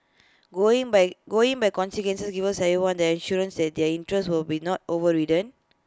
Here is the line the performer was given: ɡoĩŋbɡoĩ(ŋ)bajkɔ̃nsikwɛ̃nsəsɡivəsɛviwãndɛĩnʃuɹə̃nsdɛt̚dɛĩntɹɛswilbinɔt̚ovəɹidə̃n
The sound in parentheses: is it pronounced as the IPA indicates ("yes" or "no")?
yes